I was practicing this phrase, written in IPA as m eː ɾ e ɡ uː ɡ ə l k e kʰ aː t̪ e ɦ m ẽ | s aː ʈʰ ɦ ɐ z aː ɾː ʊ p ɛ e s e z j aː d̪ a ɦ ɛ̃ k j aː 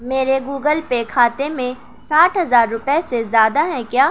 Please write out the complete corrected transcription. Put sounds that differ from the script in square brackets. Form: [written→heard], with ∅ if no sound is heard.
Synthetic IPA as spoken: m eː ɾ e ɡ uː ɡ ə l [k→p] e kʰ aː t̪ e [ɦ→∅] m ẽ | s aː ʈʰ ɦ ɐ z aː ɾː ʊ p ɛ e s e z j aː d̪ a ɦ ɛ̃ k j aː